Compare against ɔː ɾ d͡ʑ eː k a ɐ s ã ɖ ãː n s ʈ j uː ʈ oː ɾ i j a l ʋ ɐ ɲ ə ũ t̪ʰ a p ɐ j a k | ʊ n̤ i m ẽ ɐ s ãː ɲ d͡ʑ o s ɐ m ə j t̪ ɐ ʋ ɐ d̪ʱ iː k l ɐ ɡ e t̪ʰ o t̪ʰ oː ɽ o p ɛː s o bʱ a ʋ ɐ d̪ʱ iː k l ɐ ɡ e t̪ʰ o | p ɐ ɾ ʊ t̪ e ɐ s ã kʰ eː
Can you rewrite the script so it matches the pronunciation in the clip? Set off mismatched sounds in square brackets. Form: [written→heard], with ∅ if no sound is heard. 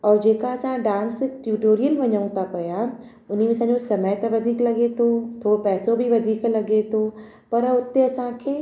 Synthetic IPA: ɔː ɾ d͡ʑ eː k a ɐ s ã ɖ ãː n s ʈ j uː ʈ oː ɾ i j [a→ə] l ʋ ɐ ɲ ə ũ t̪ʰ a p ɐ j a [k→∅] | ʊ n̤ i m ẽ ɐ s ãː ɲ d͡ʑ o s ɐ m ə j t̪ ɐ ʋ ɐ d̪ʱ iː k l ɐ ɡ e t̪ʰ o t̪ʰ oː ɽ o p ɛː s o bʱ [a→i] ʋ ɐ d̪ʱ iː k l ɐ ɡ e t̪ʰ o | p ɐ ɾ ʊ t̪ e ɐ s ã kʰ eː